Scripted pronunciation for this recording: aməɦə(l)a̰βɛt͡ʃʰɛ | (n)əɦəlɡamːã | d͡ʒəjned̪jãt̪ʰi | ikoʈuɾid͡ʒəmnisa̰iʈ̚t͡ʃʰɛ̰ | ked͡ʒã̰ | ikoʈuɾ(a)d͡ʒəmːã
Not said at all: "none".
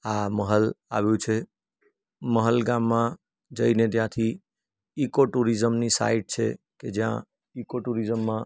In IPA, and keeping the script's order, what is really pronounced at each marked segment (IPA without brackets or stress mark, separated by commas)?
l, m, i